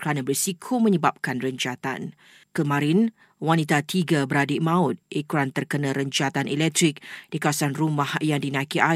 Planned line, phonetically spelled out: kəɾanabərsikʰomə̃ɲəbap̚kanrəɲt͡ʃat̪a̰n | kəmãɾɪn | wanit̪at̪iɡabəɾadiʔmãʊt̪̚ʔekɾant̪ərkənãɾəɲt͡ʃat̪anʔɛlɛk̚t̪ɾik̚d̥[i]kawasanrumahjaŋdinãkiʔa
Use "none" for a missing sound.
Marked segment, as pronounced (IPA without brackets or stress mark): i